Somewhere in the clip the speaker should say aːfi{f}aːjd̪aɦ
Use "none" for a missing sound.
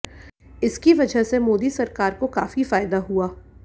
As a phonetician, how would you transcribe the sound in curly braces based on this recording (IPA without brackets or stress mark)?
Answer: f